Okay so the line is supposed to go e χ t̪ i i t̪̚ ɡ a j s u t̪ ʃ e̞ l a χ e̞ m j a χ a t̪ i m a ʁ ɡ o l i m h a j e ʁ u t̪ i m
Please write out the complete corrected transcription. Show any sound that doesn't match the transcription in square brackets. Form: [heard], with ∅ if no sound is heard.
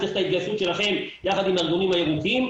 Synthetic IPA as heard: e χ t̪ [a] i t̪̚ ɡ a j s u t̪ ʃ e̞ l a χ e̞ m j a χ a [d̪] i m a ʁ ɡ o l i m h a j e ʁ u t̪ i m

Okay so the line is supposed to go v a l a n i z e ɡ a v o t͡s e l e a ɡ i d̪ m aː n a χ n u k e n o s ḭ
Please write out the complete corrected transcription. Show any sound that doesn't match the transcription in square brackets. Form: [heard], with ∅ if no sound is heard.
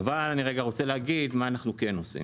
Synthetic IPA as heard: v a l a n i [ʁ] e ɡ a [ʁ] o t͡s e l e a ɡ i d̪ m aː n a χ n u k e n o s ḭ

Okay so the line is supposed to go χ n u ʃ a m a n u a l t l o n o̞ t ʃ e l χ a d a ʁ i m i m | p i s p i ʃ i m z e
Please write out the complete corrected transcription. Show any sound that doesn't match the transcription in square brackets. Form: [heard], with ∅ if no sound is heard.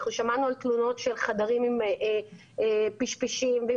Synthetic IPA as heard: χ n u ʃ a m a n u a l t l [u] n o̞ t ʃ e l χ a d a ʁ i m i m | p i [ʃ] p i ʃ i m [v] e

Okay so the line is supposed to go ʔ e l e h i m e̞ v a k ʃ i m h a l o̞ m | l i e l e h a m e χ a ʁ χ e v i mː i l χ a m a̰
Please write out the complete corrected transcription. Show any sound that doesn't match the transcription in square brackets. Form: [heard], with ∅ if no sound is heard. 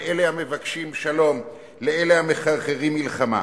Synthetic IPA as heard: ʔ e l e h [a] m e̞ v a k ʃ i m [ʃ] a l o̞ m | l [e] e l e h a m e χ a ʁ χ e [ʁ] i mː i l χ a m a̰

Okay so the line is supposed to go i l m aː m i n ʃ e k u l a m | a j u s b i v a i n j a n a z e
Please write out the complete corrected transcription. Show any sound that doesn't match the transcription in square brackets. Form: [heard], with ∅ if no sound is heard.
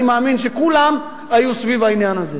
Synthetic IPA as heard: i [∅] m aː m i n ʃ e k u l a m | a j u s [v] i v a i n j a n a z e

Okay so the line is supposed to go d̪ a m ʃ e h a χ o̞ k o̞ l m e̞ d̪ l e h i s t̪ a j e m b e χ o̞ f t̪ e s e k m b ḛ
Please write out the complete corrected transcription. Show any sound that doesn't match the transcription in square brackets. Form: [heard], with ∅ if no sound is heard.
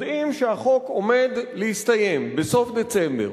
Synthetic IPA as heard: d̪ [i] m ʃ e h a χ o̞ k o̞ [∅] m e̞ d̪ l e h i s t̪ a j e m b e [s] o̞ f [d̪] e [t͡s] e [∅] m b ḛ

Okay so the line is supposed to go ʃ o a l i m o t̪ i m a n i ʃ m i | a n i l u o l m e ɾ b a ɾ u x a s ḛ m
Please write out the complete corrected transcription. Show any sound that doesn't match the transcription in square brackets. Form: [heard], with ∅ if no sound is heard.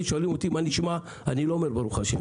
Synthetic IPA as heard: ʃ o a l i m o t̪ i m a n i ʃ m [a] | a n i l [o] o [∅] m e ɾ b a ɾ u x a [ʃ] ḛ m

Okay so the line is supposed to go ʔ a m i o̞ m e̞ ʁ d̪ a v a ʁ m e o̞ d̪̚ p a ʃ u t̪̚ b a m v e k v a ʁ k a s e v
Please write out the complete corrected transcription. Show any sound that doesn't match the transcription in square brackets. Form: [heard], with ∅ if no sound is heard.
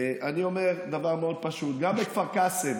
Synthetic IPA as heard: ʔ a [n] i o̞ m e̞ ʁ d̪ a v a ʁ m e o̞ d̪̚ p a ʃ u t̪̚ [ɡ] a m [b] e k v a ʁ k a s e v

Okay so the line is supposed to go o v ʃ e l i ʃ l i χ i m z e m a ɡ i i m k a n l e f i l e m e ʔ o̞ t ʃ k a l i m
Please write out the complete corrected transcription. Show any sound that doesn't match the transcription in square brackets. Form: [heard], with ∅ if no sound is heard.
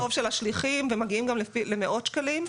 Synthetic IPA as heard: o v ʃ e l [a] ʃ l i χ i m [v] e m a ɡ i i m [ɡ] a [m] l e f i l e m e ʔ o̞ t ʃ k a l i m

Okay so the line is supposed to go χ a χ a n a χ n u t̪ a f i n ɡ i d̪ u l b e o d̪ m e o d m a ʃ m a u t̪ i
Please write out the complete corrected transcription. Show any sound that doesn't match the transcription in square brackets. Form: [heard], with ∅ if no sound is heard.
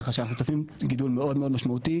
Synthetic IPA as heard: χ a [ʃ] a n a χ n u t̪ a f i [m] ɡ i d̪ u l [m] e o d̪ m e o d m a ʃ m a u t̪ i

